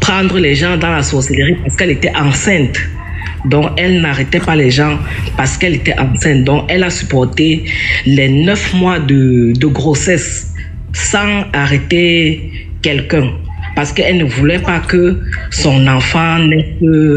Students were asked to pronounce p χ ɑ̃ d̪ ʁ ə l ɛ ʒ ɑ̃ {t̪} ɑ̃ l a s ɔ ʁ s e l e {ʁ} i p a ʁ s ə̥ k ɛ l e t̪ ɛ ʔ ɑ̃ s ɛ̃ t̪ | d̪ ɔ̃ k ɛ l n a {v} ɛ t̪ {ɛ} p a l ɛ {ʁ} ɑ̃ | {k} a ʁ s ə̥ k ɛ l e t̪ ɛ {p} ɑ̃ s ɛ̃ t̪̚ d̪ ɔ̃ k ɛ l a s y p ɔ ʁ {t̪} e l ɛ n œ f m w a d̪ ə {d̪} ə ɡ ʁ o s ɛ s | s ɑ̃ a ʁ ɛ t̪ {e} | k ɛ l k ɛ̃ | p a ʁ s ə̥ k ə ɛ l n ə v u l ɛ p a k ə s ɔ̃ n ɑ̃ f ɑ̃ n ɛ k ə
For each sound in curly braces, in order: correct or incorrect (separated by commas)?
incorrect, correct, incorrect, correct, incorrect, incorrect, incorrect, correct, correct, correct